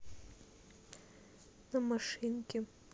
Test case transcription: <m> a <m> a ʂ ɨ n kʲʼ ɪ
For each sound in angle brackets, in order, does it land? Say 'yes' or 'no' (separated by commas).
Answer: no, yes